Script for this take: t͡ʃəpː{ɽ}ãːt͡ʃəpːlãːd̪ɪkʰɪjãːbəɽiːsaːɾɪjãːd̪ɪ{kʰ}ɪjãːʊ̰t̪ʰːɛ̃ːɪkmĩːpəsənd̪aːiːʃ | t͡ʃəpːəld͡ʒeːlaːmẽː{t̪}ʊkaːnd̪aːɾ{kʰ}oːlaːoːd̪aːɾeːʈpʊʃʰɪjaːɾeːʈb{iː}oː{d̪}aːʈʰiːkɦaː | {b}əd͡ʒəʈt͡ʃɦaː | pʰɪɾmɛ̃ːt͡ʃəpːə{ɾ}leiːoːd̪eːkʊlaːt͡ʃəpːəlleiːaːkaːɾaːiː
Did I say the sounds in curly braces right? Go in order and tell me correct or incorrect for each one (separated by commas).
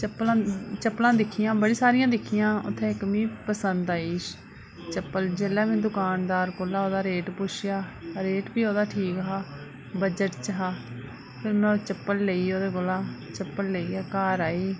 incorrect, correct, incorrect, incorrect, correct, correct, correct, incorrect